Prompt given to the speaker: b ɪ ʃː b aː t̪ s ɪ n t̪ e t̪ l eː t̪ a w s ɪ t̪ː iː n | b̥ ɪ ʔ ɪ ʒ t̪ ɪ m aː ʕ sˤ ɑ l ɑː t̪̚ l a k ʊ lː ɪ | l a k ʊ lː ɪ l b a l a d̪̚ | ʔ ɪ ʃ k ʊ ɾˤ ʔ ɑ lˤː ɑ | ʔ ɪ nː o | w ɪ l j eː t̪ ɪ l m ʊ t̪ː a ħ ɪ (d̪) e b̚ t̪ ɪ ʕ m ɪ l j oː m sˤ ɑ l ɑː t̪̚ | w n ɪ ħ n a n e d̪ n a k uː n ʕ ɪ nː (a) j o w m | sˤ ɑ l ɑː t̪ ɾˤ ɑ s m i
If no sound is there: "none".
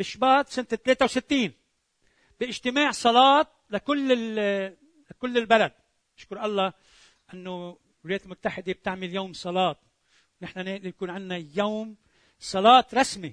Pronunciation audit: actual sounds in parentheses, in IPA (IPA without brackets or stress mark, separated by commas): d̪, a